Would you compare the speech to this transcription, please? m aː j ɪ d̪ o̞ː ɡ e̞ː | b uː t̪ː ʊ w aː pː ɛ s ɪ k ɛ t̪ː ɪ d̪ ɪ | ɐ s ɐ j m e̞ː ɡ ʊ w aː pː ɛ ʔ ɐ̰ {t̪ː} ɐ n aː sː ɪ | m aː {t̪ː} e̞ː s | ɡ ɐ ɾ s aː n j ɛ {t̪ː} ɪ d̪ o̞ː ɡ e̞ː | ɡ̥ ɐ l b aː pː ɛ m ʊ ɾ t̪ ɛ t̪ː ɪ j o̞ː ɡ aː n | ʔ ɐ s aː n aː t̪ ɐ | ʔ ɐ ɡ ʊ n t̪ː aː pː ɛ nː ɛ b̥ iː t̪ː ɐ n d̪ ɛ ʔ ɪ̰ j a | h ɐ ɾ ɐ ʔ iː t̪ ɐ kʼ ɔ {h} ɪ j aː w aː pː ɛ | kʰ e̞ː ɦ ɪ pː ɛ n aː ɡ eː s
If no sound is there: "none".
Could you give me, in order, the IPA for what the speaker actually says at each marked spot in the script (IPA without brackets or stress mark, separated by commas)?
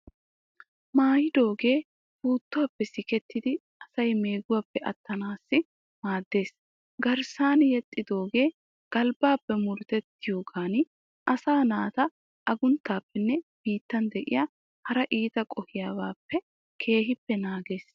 t̪ː, d̪ː, t̪ʼː, h